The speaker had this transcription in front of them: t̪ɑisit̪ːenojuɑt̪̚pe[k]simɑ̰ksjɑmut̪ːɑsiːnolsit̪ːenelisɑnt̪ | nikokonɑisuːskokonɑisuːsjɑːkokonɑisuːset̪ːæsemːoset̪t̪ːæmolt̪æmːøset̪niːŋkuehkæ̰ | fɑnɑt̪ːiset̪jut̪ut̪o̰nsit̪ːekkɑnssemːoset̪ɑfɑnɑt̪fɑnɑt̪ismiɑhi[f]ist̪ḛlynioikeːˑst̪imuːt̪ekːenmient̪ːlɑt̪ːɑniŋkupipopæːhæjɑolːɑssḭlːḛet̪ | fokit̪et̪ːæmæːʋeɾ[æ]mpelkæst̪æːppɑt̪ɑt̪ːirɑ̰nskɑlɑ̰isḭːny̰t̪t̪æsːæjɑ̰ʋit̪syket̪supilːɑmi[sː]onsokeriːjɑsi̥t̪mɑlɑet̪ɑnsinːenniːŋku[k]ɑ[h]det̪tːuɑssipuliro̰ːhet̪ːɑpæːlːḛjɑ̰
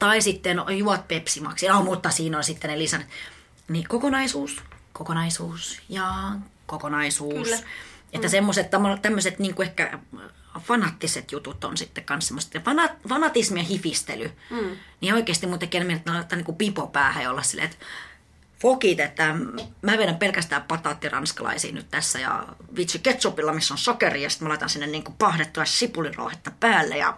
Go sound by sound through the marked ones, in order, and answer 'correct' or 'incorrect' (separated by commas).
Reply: incorrect, correct, correct, correct, incorrect, correct